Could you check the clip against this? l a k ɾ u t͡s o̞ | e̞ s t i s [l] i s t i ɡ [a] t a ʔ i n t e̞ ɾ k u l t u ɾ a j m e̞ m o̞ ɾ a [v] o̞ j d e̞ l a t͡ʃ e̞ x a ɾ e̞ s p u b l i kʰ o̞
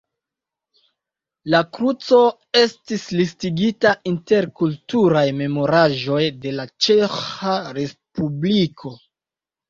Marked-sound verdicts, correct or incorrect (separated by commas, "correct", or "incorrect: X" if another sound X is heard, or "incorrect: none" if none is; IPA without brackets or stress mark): correct, incorrect: i, incorrect: ʒ